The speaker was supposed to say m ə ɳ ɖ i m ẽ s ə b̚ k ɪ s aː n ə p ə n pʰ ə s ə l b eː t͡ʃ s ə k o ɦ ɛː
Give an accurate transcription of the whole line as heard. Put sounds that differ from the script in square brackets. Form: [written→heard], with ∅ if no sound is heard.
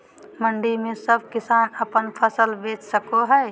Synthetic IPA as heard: m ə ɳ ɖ i m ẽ s ə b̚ k ɪ s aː n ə p ə n pʰ ə s ə l b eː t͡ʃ s ə k o ɦ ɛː

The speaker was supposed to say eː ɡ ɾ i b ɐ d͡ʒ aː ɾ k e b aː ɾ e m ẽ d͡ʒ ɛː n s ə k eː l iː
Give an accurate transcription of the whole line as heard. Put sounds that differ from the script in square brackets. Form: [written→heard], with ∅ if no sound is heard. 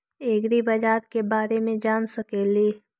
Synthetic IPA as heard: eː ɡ ɾ i b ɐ d͡ʒ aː ɾ k e b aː ɾ e m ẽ d͡ʒ [ɛː→aː] n s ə k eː l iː

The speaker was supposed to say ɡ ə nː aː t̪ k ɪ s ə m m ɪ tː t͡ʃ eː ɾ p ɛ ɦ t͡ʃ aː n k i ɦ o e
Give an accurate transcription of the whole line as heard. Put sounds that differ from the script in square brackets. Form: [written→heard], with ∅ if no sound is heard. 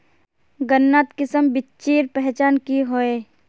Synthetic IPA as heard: ɡ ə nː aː t̪ k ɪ s ə m [m→b] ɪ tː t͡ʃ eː ɾ p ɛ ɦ t͡ʃ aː n k i ɦ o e

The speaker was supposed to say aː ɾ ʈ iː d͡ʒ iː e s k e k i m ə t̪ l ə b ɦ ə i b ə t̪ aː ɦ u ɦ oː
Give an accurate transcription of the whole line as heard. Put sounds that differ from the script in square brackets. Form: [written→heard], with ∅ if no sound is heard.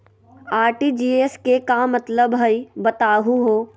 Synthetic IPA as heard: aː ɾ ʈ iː d͡ʒ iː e s k e k [i→a] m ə t̪ l ə b ɦ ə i b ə t̪ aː ɦ u ɦ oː

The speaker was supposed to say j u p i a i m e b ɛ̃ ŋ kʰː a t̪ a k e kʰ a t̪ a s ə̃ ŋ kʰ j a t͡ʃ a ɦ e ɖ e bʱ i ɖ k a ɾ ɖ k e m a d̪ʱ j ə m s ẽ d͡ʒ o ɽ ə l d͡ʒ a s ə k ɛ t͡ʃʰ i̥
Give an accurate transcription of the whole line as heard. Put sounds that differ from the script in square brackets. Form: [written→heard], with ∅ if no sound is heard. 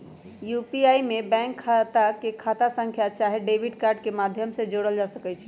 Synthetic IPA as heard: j u p i a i m e b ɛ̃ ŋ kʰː a t̪ a k e kʰ a t̪ a s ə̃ ŋ kʰ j a t͡ʃ a ɦ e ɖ e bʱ i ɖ k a ɾ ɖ k e m a d̪ʱ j ə m s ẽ d͡ʒ o ɽ ə l d͡ʒ a s ə k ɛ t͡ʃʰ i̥

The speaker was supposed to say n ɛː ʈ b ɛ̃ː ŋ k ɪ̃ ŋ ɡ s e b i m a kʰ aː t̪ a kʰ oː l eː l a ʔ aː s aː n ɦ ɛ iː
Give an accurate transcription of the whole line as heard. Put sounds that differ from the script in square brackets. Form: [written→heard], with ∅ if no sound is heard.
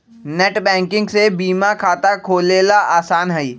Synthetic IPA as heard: n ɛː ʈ b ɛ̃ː ŋ k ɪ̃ ŋ ɡ s e b [i→iː] m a kʰ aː t̪ a kʰ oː l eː l a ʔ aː s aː n ɦ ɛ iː

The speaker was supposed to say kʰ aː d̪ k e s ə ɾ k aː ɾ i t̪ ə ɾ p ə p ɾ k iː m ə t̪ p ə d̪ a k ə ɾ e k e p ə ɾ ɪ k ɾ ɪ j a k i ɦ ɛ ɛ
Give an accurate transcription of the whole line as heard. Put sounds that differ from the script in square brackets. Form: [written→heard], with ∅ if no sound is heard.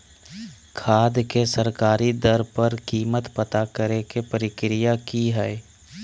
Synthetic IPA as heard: kʰ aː d̪ k e s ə ɾ k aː ɾ i [t̪→d̪] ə ɾ p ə [p→∅] ɾ k iː m ə t̪ p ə [d̪→t̪] a k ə ɾ e k e p ə ɾ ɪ k ɾ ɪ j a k i ɦ ɛ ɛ

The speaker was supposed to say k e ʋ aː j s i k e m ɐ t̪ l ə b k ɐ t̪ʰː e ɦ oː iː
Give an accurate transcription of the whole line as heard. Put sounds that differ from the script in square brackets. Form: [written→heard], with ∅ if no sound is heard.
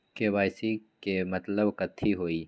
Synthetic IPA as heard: k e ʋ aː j s i k e m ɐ t̪ l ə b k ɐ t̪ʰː [e→i] ɦ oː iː

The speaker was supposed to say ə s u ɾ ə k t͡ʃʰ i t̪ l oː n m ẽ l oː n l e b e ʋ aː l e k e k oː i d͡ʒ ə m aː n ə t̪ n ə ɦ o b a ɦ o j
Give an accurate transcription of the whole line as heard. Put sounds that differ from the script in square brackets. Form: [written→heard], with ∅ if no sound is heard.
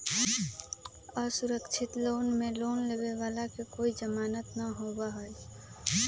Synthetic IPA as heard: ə s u ɾ ə k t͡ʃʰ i t̪ l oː n m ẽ l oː n l e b e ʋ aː l [e→a] k e k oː i d͡ʒ ə m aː n ə t̪ n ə ɦ o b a ɦ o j

